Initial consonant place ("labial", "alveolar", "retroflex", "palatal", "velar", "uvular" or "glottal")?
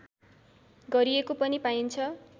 velar